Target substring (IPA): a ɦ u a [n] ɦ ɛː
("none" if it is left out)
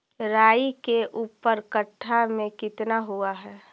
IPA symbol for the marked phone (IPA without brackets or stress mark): none